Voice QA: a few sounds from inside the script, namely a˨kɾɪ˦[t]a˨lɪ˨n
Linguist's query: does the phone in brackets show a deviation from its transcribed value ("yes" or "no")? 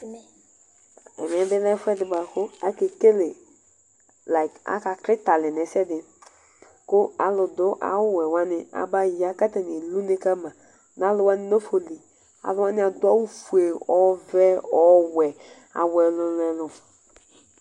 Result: no